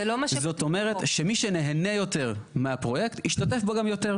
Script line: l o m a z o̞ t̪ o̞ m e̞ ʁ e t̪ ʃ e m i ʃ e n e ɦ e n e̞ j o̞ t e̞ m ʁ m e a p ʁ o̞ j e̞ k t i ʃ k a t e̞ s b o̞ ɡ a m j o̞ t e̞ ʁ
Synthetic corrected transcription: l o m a z o̞ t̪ o̞ m e̞ ʁ e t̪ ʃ e m i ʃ e n e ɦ e n e̞ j o̞ t e̞ ʁ m e a p ʁ o̞ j e̞ k t i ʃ t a t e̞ f b o̞ ɡ a m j o̞ t e̞ ʁ